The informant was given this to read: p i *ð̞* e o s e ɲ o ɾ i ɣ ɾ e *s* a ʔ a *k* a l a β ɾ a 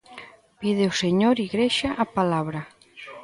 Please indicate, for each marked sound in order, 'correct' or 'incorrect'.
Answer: correct, incorrect: ʃ, incorrect: p

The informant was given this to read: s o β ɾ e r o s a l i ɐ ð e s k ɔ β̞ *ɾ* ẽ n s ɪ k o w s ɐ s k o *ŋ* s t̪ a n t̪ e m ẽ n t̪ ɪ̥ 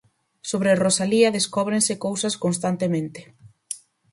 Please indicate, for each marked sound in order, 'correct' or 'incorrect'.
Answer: correct, incorrect: n

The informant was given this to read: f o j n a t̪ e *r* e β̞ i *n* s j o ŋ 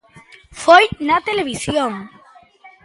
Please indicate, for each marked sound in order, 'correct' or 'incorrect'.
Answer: incorrect: l, incorrect: none

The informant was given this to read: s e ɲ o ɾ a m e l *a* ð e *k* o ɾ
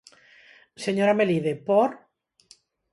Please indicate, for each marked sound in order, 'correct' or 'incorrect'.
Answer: incorrect: i, incorrect: p

